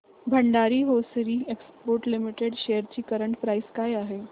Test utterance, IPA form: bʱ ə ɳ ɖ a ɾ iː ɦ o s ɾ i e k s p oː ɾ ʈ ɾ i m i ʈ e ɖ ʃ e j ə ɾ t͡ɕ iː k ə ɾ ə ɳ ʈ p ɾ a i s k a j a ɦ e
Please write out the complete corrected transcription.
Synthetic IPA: bʱ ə ɳ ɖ a ɾ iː ɦ o s ɾ i e k s p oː ɾ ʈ l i m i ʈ e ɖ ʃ e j ə ɾ t͡ɕ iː k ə ɾ ə ɳ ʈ p ɾ a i s k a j a ɦ e